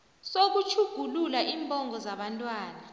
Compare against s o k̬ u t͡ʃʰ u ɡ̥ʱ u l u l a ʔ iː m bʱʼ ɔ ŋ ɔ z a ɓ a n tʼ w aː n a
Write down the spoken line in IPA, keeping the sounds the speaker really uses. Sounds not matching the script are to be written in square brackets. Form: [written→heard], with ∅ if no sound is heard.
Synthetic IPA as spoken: s o k̬ u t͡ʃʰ u ɡ̥ʱ u l u l a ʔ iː m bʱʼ ɔ ŋ ɔ z a ɓ a n tʼ w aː n a